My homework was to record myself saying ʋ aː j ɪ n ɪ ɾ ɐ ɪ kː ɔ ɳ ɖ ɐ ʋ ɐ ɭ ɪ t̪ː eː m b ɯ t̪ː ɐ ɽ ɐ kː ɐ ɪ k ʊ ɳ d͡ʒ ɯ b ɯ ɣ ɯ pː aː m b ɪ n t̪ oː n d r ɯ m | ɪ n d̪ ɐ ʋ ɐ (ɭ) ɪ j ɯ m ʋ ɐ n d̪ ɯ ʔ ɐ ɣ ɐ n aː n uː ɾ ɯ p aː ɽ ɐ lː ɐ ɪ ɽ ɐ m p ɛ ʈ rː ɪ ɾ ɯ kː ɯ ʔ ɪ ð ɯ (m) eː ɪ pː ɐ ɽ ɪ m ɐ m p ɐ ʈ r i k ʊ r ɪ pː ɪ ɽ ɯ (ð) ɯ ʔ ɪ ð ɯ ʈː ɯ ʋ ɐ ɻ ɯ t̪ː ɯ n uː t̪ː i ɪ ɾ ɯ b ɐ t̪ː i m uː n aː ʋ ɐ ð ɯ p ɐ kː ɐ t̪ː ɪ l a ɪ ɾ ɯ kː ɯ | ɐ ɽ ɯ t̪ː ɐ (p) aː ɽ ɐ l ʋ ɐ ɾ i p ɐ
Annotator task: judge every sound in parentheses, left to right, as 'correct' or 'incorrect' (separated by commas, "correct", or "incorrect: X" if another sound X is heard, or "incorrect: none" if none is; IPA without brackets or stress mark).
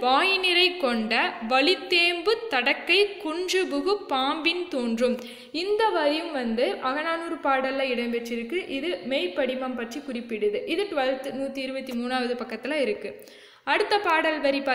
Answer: incorrect: ɾ, correct, correct, correct